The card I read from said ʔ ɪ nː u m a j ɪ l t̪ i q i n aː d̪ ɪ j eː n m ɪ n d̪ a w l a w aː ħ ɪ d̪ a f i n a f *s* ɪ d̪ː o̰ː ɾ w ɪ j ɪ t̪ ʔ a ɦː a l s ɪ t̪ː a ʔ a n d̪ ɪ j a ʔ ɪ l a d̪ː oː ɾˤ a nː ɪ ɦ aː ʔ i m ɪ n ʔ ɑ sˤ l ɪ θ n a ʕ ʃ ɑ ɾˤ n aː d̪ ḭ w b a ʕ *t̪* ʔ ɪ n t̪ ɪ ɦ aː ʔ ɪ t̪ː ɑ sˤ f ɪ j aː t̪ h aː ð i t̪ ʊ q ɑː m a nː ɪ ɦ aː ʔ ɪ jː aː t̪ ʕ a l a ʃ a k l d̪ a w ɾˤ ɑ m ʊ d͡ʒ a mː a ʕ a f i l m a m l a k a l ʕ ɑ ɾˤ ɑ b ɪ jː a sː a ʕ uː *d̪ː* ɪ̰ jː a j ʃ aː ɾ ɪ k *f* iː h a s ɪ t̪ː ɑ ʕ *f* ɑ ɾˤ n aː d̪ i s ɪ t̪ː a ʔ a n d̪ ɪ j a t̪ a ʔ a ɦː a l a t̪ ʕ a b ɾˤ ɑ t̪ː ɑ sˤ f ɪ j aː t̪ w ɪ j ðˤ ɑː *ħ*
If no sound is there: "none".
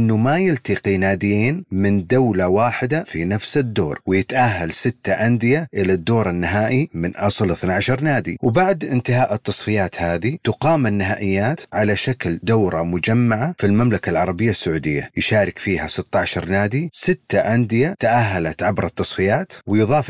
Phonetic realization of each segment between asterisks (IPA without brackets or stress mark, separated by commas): s, d̪, d̪, f, ʃ, f